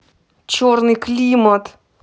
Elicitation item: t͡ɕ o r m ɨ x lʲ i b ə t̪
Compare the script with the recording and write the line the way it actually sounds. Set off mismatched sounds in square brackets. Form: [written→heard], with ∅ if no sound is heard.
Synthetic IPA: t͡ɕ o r [m→n] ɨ [x→k] lʲ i [b→m] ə t̪